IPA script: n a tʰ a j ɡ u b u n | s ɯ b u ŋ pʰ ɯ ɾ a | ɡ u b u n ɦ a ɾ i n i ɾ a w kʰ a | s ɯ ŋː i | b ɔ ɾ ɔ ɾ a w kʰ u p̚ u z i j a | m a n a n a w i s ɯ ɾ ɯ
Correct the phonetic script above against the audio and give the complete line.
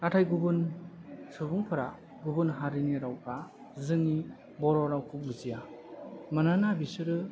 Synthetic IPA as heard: n a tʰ a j ɡ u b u n | s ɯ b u ŋ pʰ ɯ ɾ a | ɡ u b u n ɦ a ɾ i n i ɾ a w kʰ a | z ɯ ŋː i | b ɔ ɾ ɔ ɾ a w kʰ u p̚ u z i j a | m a n a n a b i s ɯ ɾ ɯ